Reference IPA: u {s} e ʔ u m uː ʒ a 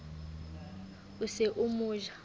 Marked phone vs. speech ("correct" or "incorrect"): correct